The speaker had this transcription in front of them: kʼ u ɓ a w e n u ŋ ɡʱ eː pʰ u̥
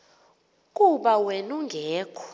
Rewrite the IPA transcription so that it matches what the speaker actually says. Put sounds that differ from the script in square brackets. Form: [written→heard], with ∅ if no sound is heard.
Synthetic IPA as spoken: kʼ u ɓ a w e n u ŋ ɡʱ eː [pʰ→kʰ] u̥